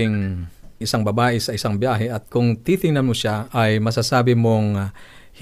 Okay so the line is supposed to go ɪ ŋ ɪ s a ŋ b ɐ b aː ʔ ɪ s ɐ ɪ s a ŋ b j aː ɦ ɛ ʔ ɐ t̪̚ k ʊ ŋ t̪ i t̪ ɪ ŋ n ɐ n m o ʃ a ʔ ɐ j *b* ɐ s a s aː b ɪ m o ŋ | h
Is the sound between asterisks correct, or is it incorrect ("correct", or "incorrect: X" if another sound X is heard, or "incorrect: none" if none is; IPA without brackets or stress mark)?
incorrect: m